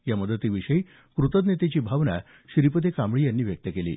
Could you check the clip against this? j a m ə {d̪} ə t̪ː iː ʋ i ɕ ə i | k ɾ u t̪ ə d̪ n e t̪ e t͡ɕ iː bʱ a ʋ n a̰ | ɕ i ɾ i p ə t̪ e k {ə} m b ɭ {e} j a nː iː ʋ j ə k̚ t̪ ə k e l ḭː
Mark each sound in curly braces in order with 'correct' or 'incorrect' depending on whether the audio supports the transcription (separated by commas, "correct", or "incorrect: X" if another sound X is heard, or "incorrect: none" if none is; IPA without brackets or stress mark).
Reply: correct, incorrect: a, incorrect: i